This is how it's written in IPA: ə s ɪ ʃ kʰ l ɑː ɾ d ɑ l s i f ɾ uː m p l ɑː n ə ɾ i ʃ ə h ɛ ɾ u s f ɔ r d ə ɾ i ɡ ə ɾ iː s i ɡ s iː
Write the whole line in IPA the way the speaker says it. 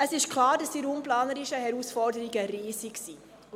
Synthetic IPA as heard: ə s ɪ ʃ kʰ l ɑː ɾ d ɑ s i ɾ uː m p l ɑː n ə ɾ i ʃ ə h ɛ ɾ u s f ɔ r d ə ɾ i ɡ ə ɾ iː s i k s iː